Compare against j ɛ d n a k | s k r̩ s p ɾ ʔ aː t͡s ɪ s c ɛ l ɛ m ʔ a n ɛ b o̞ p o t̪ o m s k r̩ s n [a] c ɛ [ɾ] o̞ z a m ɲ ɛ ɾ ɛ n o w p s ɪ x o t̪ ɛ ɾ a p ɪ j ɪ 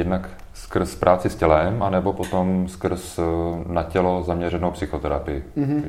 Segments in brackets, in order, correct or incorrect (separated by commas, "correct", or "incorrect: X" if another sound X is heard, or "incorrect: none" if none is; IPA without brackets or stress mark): correct, incorrect: l